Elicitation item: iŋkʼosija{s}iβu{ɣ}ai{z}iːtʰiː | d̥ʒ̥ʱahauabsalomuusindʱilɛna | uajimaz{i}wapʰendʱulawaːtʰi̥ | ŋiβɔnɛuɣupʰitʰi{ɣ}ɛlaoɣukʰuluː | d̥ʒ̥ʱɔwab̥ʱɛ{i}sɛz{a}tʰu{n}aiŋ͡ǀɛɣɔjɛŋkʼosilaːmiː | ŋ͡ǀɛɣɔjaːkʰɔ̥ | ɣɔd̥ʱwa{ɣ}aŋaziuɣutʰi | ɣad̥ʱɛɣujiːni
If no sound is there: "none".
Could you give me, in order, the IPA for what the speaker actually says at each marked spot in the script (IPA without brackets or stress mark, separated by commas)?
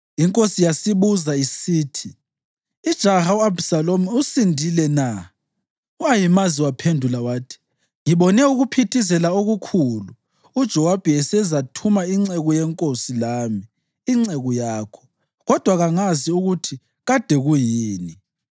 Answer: s, z, s, i, z, ɛ, a, m, ɣ